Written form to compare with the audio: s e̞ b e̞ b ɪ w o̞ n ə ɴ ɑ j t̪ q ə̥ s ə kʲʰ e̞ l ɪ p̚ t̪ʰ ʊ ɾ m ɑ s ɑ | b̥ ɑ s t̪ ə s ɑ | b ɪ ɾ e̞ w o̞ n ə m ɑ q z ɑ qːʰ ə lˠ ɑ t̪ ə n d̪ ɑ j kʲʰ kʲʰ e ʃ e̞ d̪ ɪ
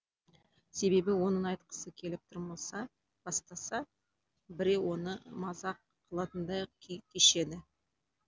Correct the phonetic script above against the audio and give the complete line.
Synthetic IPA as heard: s e̞ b e̞ b ɪ w o̞ n ə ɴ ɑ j t̪ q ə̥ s ə kʲʰ e̞ l ɪ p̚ t̪ʰ ʊ ɾ m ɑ s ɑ | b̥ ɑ s t̪ ɑ s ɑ | b ɪ ɾ e̞ w o̞ n ə m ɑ z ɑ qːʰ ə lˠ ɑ t̪ ə n d̪ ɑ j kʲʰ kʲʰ e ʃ e̞ d̪ ɪ

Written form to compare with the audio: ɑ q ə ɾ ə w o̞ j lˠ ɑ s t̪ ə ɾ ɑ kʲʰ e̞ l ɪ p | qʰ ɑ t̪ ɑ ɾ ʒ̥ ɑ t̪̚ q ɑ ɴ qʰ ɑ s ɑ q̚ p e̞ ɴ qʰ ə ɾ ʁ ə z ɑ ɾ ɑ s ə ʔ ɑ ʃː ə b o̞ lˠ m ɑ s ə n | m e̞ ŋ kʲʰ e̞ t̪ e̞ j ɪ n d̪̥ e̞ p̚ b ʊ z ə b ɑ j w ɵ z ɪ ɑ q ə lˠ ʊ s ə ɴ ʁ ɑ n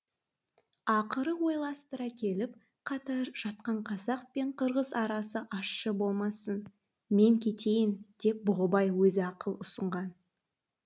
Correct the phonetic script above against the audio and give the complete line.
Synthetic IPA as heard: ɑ q ə ɾ ə w o̞ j lˠ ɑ s t̪ ə ɾ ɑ kʲʰ e̞ l ɪ p | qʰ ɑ t̪ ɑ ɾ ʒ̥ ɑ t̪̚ q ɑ ɴ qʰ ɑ z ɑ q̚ p e̞ ɴ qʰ ə ɾ ʁ ə z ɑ ɾ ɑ s ə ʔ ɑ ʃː ə b o̞ lˠ m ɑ s ə n | m e̞ ŋ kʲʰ e̞ t̪ e̞ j ɪ n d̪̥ e̞ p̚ b ʊ ʁ ə b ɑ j w ɵ z ɪ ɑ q ə lˠ ʊ s ə ɴ ʁ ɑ n

